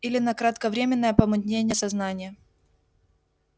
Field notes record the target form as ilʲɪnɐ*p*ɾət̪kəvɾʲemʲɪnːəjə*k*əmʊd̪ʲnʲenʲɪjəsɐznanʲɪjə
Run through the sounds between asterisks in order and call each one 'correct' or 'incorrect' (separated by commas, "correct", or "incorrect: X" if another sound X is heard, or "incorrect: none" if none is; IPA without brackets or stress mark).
incorrect: k, incorrect: p